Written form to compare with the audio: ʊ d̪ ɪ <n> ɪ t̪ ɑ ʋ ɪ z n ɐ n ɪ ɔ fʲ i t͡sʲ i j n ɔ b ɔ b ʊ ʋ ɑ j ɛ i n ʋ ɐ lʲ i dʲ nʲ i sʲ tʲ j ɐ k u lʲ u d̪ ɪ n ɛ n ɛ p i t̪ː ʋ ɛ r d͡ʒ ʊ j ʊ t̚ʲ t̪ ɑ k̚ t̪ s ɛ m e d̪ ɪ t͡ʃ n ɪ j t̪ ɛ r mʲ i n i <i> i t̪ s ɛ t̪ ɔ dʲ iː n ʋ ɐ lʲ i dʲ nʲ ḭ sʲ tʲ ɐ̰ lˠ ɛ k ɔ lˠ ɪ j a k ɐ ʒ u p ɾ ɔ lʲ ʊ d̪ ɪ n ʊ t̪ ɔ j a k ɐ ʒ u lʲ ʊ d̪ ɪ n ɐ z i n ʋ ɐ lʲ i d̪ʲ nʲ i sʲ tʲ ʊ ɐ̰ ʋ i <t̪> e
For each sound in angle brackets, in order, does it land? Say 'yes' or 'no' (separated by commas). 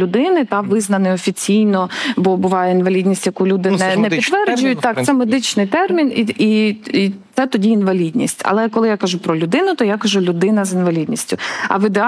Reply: yes, yes, no